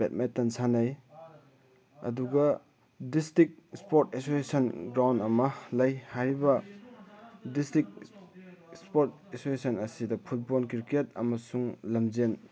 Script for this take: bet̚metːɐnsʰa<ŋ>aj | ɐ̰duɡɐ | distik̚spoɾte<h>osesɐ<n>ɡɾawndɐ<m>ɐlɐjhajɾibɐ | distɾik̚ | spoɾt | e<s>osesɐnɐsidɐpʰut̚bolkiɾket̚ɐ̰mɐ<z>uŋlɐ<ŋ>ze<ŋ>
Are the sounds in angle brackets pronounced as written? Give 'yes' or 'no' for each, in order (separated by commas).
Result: no, no, yes, yes, yes, no, no, no